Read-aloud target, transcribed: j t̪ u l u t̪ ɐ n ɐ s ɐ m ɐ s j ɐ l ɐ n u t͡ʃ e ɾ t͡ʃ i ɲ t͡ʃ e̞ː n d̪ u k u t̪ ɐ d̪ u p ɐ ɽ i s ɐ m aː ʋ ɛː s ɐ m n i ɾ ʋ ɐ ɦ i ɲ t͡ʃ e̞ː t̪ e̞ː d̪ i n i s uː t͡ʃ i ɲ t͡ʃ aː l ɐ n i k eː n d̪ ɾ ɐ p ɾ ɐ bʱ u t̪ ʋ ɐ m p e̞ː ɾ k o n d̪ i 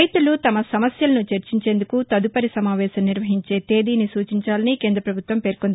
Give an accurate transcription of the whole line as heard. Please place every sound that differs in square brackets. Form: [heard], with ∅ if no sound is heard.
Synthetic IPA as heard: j t̪ u l u t̪ ɐ [m] ɐ s ɐ m ɐ s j ɐ l ɐ n u t͡ʃ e ɾ t͡ʃ i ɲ t͡ʃ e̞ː n d̪ u k u t̪ ɐ d̪ u p ɐ [ɾ] i s ɐ m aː ʋ ɛː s ɐ m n i ɾ ʋ ɐ ɦ i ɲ t͡ʃ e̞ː t̪ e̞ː d̪ [iː] n i s uː t͡ʃ i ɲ t͡ʃ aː l ɐ n i k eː n d̪ ɾ ɐ p ɾ ɐ bʱ u t̪ ʋ ɐ m p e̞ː ɾ k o n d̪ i

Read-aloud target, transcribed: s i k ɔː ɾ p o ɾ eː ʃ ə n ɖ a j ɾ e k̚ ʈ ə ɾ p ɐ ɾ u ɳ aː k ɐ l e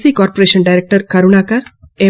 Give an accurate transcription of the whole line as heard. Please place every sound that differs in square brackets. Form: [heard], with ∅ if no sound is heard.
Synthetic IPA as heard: s i k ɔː ɾ p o ɾ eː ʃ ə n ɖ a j ɾ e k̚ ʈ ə ɾ [k] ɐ ɾ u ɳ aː k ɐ [ɾ] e

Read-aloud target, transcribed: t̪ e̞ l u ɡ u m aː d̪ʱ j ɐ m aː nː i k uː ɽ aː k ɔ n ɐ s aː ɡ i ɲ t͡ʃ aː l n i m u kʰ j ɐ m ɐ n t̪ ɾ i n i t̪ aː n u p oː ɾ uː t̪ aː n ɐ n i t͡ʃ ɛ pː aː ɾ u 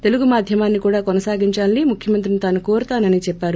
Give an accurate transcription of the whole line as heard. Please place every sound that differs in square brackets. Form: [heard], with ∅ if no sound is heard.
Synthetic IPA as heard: t̪ e̞ l u ɡ u m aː d̪ʱ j ɐ m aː nː i k uː ɽ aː k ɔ n ɐ s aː ɡ i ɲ t͡ʃ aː l n i m u kʰ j ɐ m ɐ n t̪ ɾ i n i t̪ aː n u [k] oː ɾ [u] t̪ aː n ɐ n i t͡ʃ ɛ pː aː ɾ u

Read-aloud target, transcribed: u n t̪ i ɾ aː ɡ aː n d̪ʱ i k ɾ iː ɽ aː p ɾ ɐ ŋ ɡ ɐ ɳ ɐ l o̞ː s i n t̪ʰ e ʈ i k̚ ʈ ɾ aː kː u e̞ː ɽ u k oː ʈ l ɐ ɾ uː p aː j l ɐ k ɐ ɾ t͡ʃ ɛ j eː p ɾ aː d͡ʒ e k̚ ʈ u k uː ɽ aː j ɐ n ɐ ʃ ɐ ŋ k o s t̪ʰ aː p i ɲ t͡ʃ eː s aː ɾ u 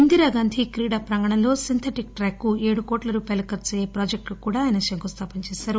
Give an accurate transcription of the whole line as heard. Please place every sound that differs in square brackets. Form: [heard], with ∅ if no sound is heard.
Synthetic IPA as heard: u n [d̪] i ɾ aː ɡ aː n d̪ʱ i k ɾ iː ɽ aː p ɾ ɐ ŋ ɡ ɐ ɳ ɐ l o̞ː s i n t̪ʰ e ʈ i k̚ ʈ ɾ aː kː u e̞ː ɽ u k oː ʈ l ɐ ɾ uː p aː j l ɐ k ɐ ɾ t͡ʃ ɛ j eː p ɾ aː d͡ʒ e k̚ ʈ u k uː ɽ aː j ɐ n ɐ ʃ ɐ ŋ k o s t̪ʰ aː p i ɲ t͡ʃ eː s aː ɾ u

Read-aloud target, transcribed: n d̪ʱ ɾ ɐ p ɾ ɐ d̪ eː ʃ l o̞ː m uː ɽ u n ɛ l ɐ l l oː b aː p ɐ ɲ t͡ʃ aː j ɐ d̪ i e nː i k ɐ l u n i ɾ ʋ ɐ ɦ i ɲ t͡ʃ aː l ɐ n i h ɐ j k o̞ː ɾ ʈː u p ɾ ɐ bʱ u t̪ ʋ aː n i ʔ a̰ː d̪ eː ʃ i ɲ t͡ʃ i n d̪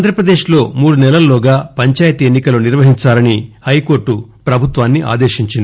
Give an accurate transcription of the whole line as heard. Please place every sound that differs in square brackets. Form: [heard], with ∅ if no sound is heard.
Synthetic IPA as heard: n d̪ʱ ɾ ɐ p ɾ ɐ d̪ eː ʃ l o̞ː m uː ɽ u n ɛ l ɐ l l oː [ɡ] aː p ɐ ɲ t͡ʃ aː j ɐ [t̪] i e nː i k ɐ l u n i ɾ ʋ ɐ ɦ i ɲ t͡ʃ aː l ɐ n i h ɐ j k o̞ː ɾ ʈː u p ɾ ɐ bʱ u t̪ ʋ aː [nː] i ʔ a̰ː d̪ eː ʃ i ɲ t͡ʃ i n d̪

